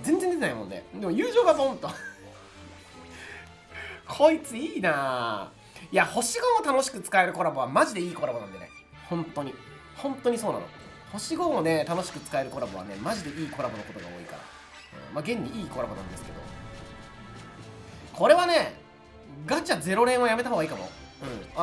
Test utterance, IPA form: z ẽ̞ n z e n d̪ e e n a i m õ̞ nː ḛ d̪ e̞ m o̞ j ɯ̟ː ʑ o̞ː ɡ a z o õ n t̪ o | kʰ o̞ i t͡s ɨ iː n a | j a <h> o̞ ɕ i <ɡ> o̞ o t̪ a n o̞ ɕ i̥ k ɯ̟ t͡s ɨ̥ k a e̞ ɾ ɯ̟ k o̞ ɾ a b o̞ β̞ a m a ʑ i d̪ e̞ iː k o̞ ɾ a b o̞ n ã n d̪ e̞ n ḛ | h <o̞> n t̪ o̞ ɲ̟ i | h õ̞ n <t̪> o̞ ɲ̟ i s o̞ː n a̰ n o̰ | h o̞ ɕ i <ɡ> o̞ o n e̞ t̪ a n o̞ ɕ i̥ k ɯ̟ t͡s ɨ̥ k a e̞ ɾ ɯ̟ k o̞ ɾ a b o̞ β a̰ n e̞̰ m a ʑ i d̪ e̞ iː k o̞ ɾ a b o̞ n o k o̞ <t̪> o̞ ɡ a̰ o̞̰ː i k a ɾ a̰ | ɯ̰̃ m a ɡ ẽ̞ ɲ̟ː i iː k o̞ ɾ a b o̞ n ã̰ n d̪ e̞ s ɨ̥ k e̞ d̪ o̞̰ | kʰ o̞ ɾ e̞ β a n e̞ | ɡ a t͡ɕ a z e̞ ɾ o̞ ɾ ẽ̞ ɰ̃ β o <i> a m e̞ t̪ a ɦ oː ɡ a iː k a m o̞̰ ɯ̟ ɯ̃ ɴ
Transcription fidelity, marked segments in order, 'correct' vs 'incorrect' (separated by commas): correct, correct, incorrect, correct, correct, correct, incorrect